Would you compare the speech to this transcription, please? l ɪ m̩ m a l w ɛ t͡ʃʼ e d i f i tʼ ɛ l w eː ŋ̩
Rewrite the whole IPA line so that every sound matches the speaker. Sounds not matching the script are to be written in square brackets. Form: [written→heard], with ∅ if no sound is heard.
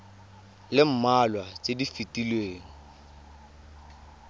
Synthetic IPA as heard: l ɪ m̩ m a l w [ɛ→a] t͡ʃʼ e d i f i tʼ [ɛ→i] l w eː ŋ̩